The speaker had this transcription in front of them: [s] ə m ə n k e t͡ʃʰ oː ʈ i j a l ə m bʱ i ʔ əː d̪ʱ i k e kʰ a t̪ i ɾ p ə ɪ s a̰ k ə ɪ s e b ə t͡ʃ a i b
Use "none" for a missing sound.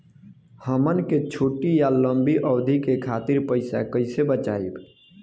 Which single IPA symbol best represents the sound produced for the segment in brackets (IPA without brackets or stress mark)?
h